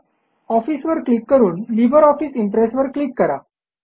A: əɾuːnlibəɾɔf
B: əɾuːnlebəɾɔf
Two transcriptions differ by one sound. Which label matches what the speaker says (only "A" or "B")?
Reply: A